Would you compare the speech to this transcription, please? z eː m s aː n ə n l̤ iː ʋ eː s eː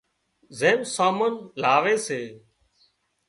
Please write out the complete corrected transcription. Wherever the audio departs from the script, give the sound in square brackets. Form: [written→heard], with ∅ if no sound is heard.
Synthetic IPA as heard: z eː m s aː [n→m] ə n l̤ [iː→aː] ʋ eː s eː